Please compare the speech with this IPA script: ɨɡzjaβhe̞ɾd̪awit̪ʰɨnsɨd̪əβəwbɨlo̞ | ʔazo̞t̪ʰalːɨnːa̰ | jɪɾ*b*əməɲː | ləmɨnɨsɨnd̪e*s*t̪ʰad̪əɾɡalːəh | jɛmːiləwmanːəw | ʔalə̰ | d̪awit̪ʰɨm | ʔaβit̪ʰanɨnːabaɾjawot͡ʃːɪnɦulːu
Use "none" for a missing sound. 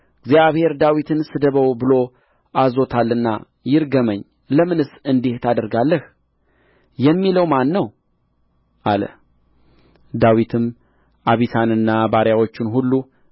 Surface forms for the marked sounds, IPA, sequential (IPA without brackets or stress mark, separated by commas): ɡ, h